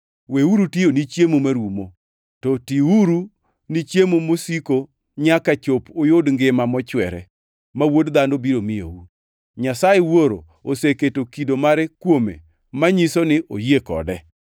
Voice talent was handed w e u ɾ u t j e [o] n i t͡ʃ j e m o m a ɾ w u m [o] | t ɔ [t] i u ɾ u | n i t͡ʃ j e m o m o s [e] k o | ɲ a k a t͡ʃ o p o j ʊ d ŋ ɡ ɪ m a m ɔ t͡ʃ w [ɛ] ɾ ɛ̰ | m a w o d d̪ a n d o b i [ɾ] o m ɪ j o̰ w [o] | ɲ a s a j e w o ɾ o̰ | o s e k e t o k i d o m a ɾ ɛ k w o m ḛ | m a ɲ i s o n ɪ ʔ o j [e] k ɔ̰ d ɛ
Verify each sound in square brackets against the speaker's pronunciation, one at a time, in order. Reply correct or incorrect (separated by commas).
correct, correct, correct, incorrect, correct, correct, incorrect, correct